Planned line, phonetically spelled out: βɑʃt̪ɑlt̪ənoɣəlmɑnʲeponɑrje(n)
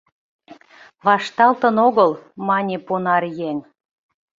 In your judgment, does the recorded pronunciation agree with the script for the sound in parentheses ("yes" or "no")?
no